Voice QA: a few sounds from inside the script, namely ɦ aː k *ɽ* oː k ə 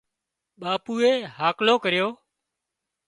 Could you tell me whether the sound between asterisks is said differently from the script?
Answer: yes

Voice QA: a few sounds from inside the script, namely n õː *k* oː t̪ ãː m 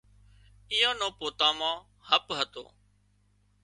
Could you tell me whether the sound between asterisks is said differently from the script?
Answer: yes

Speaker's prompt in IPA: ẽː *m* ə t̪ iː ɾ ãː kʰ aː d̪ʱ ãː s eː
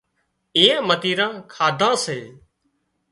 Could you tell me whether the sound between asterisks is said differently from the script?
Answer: no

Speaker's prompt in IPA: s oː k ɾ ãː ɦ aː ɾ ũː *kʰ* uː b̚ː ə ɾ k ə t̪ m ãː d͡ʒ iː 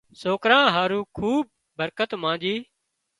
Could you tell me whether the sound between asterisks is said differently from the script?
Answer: no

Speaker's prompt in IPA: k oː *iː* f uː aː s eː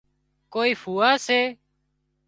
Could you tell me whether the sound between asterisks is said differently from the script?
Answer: no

